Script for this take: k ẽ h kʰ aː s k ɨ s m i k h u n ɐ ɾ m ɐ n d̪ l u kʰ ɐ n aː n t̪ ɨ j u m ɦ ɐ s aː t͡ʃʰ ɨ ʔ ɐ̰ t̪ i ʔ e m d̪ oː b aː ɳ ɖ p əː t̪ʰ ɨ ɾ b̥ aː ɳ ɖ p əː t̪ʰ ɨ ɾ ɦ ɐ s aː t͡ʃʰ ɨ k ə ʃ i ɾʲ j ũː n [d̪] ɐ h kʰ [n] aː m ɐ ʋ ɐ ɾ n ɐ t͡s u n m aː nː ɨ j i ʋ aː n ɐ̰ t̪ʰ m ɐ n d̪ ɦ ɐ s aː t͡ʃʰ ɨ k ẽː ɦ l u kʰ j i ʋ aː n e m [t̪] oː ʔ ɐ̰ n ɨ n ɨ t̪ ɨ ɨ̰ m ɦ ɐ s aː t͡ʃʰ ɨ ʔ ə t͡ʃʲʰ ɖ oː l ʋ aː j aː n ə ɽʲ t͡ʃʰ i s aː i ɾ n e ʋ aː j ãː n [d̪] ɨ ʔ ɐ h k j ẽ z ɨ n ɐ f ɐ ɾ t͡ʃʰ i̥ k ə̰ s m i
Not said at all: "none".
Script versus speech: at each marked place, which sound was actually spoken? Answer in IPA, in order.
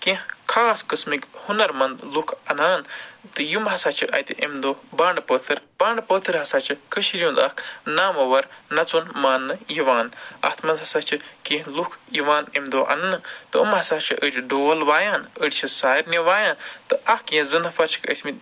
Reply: d̪, n, d̪, t̪

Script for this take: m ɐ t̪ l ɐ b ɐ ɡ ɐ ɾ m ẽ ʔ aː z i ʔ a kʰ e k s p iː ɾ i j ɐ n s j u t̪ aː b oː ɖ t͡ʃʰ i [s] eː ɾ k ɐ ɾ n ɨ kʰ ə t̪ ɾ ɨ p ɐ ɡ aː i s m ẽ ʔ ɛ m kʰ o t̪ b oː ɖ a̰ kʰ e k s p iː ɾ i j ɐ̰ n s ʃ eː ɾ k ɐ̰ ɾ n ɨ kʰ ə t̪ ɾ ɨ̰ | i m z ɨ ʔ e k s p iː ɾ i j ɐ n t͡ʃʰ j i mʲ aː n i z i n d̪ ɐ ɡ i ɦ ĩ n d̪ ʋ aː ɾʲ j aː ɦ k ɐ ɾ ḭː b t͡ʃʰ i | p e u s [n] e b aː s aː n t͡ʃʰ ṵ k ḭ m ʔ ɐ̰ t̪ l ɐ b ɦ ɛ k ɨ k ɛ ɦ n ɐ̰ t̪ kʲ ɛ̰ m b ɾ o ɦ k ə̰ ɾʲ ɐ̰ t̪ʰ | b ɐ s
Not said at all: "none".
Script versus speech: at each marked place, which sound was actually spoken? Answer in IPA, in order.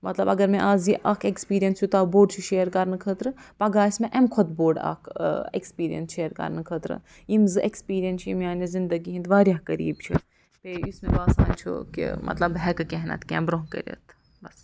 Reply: ʃ, m

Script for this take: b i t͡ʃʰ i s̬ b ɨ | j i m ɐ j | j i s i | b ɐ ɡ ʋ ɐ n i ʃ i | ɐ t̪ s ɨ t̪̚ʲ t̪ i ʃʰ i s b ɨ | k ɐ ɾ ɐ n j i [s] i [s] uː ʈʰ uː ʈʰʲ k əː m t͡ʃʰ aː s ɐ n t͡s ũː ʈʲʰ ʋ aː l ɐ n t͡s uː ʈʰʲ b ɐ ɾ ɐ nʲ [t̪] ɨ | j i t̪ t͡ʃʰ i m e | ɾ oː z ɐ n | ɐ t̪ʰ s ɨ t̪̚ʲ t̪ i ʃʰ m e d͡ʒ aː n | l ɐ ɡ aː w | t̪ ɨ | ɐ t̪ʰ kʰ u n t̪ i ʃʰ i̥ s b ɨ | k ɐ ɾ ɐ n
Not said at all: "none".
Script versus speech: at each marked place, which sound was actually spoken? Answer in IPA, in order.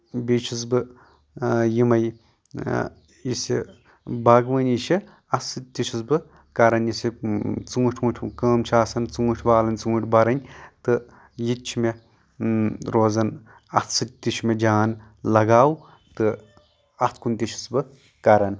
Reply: s, t͡s, t̪

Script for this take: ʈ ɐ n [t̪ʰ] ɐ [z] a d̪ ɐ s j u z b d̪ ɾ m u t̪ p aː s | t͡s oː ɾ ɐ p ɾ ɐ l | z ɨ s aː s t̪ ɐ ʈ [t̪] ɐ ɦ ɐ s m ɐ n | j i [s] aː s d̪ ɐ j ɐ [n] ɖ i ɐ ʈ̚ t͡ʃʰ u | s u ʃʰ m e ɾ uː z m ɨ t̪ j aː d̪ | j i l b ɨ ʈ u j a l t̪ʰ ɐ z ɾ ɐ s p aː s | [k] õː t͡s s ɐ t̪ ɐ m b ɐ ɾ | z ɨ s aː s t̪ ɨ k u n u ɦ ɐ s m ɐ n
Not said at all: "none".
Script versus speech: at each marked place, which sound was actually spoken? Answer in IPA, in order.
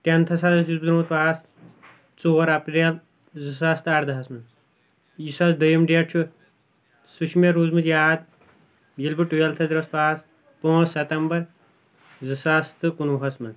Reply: t̪ʰ, s, d̪, s, m, p

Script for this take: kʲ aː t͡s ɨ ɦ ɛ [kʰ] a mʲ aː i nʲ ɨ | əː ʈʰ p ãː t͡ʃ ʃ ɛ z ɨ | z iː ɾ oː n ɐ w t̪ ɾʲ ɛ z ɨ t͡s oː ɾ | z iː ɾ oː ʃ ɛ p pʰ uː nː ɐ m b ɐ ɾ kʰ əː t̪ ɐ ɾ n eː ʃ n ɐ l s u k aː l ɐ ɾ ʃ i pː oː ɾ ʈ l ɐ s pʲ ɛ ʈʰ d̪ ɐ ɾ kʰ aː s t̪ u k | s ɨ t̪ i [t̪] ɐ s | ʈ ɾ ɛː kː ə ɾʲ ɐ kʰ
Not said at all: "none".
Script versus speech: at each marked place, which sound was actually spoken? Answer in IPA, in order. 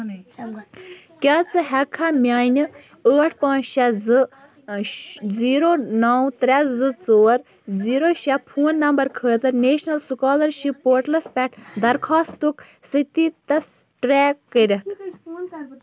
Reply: kʰ, t̪

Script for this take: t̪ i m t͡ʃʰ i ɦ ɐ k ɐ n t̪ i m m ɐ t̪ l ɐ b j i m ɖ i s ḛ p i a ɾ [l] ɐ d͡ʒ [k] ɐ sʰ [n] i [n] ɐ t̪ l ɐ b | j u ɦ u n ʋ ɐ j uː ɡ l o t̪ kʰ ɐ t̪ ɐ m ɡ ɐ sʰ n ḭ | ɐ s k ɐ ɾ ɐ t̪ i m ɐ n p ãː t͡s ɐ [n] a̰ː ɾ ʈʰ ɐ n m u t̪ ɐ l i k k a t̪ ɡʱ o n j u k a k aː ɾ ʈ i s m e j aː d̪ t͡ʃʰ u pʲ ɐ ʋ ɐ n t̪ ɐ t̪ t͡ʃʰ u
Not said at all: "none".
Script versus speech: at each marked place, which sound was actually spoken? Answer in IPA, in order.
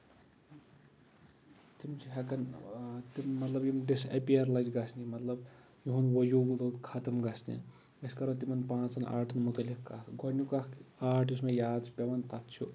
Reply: l, ɡ, n, m, n

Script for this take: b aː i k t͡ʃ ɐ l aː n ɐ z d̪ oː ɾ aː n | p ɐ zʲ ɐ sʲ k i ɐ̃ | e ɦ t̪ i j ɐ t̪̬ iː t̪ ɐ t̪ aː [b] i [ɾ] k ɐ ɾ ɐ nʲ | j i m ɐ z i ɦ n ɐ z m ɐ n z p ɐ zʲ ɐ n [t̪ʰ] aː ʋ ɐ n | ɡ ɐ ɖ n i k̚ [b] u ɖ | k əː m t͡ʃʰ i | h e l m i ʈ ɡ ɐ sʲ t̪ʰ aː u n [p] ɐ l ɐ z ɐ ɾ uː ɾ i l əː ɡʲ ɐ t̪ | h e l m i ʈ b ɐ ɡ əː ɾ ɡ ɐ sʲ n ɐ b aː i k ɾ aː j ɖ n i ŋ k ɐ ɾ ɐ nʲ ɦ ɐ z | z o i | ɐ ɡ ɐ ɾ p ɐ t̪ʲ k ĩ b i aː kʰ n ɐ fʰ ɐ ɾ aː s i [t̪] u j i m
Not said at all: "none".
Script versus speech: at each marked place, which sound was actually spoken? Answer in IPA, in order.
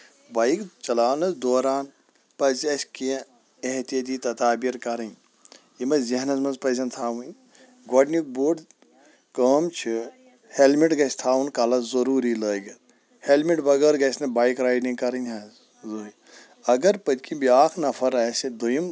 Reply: b, ɾ, t̪ʰ, b, k, d̪

